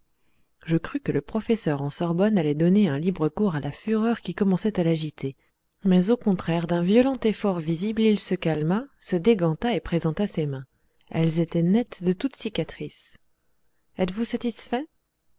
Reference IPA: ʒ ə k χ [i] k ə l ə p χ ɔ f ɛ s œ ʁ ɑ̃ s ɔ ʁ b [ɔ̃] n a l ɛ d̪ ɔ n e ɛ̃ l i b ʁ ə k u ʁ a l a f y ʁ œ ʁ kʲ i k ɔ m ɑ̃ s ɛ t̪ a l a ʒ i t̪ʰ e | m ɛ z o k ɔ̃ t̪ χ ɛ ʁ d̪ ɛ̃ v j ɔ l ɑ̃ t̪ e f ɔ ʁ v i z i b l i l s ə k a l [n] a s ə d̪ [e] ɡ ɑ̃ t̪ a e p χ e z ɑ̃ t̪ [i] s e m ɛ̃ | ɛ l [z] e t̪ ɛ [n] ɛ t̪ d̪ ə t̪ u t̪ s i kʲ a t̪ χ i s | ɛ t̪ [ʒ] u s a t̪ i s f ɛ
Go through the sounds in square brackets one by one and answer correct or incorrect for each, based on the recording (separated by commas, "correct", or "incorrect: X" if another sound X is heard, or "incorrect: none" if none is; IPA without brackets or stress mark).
incorrect: y, incorrect: ɔ, incorrect: m, correct, incorrect: a, correct, correct, incorrect: v